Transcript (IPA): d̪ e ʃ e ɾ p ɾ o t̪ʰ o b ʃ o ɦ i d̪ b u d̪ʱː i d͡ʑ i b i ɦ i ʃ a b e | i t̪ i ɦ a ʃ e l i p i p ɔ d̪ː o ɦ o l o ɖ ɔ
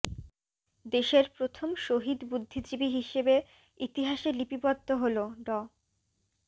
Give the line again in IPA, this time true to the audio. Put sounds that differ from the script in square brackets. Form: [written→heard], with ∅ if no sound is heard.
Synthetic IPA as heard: d̪ e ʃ e ɾ p ɾ o t̪ʰ o [b→m] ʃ o ɦ i d̪ b u d̪ʱː i d͡ʑ i b i ɦ i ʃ [a→e] b e | i t̪ i ɦ a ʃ e l i p i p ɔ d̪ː o ɦ o l o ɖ ɔ